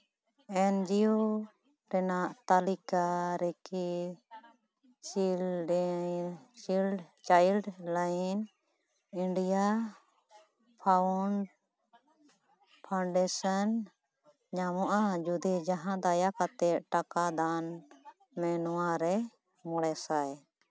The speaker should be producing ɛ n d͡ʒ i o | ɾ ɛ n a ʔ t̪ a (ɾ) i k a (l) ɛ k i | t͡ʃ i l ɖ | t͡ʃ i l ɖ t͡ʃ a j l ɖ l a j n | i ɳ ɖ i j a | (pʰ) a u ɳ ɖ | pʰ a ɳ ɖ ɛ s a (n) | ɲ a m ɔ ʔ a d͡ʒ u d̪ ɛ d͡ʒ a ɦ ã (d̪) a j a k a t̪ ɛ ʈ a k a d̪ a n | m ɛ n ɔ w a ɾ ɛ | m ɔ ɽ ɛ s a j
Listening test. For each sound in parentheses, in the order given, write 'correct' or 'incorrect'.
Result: incorrect: l, incorrect: ɾ, correct, correct, correct

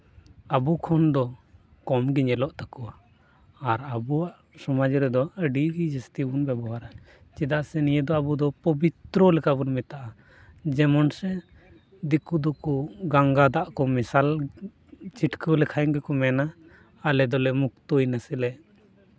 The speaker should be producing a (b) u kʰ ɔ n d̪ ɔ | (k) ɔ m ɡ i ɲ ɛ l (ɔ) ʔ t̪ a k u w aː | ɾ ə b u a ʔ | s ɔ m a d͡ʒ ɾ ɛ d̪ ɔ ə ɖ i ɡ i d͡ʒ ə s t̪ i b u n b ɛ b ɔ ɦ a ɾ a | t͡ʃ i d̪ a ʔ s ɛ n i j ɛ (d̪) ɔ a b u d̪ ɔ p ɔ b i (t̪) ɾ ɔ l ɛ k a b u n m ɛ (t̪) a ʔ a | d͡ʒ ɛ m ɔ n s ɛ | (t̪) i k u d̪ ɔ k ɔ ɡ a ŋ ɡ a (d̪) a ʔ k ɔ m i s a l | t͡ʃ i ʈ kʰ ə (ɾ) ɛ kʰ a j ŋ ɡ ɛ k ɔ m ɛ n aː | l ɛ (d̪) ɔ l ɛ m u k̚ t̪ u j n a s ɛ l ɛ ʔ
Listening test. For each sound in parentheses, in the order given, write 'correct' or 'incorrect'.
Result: correct, correct, correct, correct, correct, correct, incorrect: d̪, correct, incorrect: l, correct

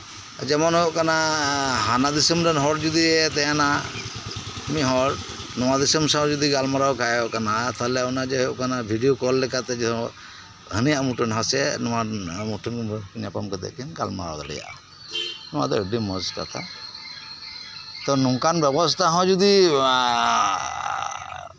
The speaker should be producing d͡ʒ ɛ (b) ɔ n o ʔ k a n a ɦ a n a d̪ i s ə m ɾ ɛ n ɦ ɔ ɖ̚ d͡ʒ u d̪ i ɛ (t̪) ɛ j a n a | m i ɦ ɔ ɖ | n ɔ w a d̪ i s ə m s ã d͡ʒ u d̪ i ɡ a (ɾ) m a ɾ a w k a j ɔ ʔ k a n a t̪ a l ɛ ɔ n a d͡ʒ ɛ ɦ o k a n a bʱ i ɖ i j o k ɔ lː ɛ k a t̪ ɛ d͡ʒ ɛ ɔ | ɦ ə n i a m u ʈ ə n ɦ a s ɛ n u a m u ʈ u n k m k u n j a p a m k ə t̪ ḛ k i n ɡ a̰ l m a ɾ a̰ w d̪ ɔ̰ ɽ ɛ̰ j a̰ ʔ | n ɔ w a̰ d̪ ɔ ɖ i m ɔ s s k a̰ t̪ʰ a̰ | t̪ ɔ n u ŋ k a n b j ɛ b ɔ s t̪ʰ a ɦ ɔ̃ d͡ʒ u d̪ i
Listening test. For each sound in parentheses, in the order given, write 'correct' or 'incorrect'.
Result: incorrect: m, correct, incorrect: l

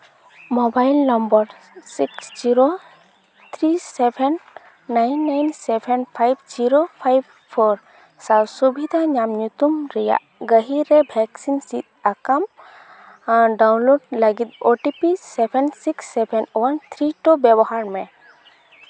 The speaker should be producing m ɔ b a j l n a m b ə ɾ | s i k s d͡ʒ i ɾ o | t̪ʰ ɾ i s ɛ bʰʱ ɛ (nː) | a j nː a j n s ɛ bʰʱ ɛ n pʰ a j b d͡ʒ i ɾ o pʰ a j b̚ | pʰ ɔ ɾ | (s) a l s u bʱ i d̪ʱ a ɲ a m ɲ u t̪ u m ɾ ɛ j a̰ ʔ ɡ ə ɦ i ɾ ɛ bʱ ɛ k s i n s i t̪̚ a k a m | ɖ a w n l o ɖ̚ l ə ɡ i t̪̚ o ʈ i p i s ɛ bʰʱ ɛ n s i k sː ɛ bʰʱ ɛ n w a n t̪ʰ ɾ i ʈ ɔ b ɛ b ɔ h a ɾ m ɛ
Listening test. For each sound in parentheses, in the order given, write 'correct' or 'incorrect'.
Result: correct, correct

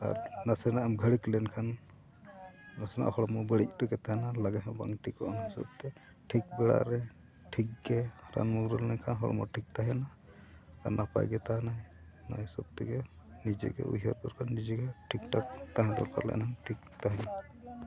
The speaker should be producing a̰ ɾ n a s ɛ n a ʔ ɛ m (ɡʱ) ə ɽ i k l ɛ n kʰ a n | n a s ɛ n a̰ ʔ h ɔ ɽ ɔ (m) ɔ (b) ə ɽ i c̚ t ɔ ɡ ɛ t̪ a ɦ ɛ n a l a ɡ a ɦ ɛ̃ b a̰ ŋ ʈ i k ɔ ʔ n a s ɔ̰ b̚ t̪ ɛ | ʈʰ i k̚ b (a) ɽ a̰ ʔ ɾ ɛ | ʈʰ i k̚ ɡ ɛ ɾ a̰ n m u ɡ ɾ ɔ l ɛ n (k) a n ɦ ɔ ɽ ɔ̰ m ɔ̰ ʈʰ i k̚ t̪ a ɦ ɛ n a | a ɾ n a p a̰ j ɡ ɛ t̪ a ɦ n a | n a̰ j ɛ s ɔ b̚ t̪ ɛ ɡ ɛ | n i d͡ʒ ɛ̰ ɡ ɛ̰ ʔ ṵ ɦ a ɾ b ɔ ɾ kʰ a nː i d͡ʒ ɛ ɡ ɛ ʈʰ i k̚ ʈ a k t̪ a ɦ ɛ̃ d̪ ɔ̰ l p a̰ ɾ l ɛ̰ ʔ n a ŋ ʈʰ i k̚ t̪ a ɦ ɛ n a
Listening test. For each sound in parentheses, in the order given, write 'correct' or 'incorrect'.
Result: correct, correct, correct, incorrect: ɛ, incorrect: kʰ

